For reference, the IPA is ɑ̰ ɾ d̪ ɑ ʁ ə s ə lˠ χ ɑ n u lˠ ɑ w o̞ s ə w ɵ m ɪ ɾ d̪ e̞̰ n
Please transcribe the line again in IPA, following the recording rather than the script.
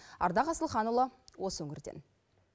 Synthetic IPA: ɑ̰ ɾ d̪ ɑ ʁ ɑ s ə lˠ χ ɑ n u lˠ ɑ w o̞ s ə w ɵ ŋ ɪ ɾ d̪ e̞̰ n